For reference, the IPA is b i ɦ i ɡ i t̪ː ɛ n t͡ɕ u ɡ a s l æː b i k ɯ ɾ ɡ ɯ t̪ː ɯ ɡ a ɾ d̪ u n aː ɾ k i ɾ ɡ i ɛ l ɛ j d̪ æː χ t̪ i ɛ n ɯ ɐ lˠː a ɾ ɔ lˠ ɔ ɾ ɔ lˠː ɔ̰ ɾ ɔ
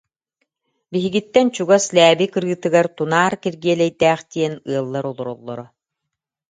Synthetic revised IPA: b i ɦ i ɡ i t̪ː ɛ n t͡ɕ u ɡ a s l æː b i k ɯ ɾ ɡ ɯ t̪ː ɯ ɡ a ɾ t̪ u n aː ɾ k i ɾ ɡ i ɛ l ɛ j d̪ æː χ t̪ i ɛ n ɯ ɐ lˠː a ɾ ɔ lˠ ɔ ɾ ɔ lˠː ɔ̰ ɾ ɔ